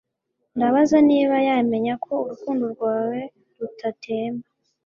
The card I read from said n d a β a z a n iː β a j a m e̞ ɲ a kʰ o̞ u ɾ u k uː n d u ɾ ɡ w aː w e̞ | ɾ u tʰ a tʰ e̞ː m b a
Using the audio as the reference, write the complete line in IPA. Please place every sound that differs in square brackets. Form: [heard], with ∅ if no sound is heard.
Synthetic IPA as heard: n d a β a z a n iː β a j a m e̞ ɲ a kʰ o̞ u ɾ u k uː n d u ɾ ɡ w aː w e̞ | ɾ u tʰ a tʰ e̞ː m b a